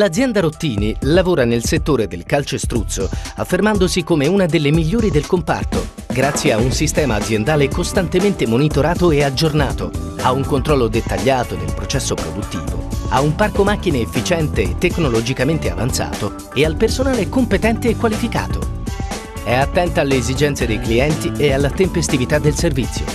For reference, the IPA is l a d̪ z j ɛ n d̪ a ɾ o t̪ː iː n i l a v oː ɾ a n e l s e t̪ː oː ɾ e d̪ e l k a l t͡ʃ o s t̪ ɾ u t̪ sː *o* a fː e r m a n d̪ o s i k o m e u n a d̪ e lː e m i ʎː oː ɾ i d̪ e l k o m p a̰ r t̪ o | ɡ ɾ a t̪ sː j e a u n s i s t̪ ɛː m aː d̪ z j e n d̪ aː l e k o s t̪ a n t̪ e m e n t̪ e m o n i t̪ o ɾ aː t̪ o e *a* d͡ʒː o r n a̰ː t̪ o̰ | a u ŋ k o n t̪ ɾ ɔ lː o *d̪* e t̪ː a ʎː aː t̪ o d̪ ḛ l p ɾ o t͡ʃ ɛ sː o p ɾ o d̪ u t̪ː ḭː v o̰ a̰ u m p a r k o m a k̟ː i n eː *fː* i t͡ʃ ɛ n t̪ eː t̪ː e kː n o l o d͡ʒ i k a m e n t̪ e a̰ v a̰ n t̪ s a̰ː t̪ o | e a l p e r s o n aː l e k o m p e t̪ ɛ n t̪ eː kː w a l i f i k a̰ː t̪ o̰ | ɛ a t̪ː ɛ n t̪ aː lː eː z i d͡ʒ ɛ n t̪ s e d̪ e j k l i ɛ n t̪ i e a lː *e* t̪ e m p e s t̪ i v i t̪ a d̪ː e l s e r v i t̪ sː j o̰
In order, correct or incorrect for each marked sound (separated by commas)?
correct, correct, correct, correct, incorrect